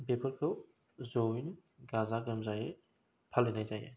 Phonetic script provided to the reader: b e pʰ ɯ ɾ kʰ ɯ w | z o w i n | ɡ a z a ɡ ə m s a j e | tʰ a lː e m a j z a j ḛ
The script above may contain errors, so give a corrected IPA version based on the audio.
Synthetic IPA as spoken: b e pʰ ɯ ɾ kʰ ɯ w | z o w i n | ɡ a z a ɡ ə m z a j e | pʰ a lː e n a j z a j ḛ

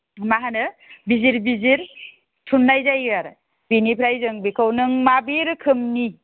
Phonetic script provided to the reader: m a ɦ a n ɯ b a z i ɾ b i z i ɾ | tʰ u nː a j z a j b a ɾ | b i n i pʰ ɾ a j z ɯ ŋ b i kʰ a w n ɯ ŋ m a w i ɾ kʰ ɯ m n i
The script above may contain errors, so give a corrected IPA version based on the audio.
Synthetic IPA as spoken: m a ɦ a n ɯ b i z i ɾ b i z i ɾ | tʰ u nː a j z a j ɡ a ɾ | b i n i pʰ ɾ a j z ɯ ŋ b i kʰ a w n ɯ ŋ m a b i ɾ kʰ ɯ m n i

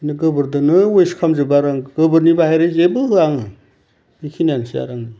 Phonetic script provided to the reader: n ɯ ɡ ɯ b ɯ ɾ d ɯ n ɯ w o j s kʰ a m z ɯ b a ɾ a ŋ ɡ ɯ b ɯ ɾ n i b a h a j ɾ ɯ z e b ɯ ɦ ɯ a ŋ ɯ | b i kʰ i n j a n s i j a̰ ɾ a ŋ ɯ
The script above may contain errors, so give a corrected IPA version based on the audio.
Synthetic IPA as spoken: n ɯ ɡ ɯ b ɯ ɾ d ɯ n ɯ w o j s kʰ a m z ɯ b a ɾ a ŋ ɡ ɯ b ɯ ɾ n i b a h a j ɾ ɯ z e b ɯ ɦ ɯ a ŋ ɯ | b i kʰ i n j a n s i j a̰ ɾ a ŋ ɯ

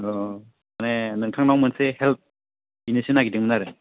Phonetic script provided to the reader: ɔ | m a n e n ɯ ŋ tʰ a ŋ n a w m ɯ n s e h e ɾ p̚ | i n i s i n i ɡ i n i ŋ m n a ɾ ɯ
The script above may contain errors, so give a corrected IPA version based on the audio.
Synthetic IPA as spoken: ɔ | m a n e n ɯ ŋ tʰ a ŋ n a w m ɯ n s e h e l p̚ | i n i s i n a ɡ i d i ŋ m n a ɾ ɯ

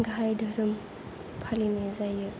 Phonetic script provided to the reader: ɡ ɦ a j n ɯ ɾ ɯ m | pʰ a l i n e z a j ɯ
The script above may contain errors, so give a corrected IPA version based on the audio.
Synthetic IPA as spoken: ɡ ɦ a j d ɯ ɾ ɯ m | pʰ a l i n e z a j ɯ

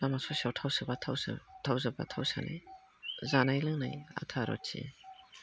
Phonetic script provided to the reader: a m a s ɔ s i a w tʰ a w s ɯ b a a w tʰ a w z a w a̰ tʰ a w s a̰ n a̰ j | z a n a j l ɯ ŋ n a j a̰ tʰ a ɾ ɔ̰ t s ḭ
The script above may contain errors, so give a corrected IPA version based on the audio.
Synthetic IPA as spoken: a m a s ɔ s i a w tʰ a w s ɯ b a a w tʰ a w z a b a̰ tʰ a w s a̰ n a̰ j | z a n a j l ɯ ŋ n a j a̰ tʰ a ɾ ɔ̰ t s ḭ

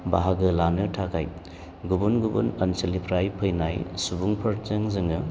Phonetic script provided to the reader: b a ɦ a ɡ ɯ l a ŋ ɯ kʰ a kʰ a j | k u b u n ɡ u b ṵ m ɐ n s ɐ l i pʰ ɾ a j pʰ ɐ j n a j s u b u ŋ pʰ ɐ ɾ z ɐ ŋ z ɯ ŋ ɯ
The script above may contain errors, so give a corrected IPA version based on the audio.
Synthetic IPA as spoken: b a ɦ a ɡ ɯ l a n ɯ tʰ a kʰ a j | ɡ u b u n ɡ u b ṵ n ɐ n s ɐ l i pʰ ɾ a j pʰ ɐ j n a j s u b u ŋ pʰ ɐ ɾ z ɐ ŋ z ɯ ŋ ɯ

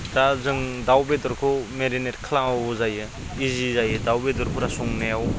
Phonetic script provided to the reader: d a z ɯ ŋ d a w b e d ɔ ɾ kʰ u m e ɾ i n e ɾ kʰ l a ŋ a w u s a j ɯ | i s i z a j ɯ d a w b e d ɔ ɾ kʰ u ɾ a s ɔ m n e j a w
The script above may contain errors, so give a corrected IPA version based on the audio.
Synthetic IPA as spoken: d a z ɯ ŋ d a w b e d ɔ ɾ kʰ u m e ɾ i n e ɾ kʰ l a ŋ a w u z a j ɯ | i z i z a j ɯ d a w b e d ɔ ɾ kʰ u ɾ a s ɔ ŋ n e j a w

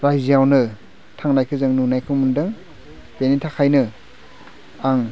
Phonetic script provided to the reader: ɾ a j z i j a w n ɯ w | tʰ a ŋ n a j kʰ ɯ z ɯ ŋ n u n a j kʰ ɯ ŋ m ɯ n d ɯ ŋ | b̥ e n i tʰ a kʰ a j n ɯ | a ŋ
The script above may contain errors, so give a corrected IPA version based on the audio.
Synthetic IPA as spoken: ɾ a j z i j a w n ɯ | tʰ a ŋ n a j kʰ ɯ z ɯ ŋ n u n a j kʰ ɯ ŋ m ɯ n d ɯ ŋ | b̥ e n i tʰ a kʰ a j n ɯ | a ŋ

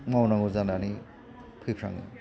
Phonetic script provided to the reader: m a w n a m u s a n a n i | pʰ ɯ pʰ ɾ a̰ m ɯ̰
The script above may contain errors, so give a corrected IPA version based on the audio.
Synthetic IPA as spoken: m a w n a ŋ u z a n a n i | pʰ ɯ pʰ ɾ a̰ ŋ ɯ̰

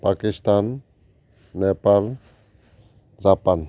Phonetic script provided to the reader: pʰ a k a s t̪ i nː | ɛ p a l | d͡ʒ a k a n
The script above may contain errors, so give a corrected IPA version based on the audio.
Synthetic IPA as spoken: p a k i s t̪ a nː | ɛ p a l | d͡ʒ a p a n

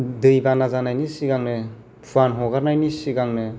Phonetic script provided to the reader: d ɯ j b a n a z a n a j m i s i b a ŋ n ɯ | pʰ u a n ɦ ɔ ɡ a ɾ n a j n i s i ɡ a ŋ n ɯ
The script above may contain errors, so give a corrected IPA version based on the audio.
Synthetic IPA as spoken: d ɯ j b a n a z a n a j n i s i ɡ a ŋ n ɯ | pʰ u a n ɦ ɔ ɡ a ɾ n a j n i s i ɡ a ŋ n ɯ

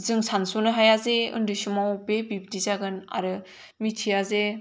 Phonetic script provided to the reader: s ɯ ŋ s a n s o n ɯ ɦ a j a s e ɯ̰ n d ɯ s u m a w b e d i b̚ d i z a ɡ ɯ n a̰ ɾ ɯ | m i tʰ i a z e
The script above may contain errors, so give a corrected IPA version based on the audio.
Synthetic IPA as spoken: z ɯ ŋ s a n s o n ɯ ɦ a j a z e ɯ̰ n d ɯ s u m a w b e b i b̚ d i z a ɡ ɯ n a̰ ɾ ɯ | m i tʰ i a z e

